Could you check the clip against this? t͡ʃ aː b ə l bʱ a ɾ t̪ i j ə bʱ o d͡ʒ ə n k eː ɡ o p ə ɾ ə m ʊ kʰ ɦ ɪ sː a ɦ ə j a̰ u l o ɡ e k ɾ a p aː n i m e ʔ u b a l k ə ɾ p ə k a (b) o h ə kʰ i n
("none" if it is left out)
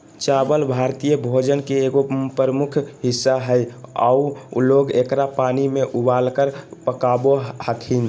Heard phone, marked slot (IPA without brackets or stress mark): b